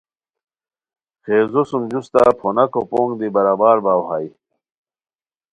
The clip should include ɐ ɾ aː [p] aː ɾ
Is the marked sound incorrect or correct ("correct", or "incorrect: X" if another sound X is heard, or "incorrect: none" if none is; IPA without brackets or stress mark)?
incorrect: b